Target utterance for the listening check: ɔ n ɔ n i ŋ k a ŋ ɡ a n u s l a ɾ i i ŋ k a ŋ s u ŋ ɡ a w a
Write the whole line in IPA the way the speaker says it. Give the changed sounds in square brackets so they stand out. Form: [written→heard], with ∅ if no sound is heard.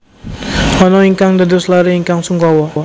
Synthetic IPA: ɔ n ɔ [n→∅] i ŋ k a ŋ [ɡ→d] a [n→d] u s l a ɾ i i ŋ k a ŋ s u ŋ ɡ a w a